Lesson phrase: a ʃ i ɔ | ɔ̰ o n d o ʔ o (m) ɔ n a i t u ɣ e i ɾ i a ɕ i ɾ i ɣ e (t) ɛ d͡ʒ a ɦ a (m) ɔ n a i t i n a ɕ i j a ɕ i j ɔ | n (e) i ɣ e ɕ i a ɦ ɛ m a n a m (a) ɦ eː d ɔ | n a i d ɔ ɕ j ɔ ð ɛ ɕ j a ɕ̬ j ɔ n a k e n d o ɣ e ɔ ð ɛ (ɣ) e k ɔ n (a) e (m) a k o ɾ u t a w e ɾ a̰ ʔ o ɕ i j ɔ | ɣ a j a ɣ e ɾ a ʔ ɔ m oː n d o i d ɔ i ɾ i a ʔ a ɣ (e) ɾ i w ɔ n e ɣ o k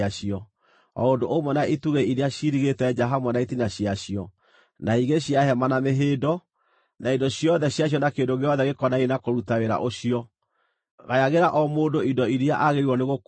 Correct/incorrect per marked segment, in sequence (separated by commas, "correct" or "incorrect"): correct, correct, correct, incorrect, incorrect, correct, correct, incorrect, correct